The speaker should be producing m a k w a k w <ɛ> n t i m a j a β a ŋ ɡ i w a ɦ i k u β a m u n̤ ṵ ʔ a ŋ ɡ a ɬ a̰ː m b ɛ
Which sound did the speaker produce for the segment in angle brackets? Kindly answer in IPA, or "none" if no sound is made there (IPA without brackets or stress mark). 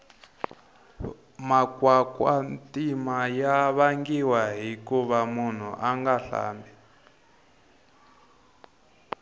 a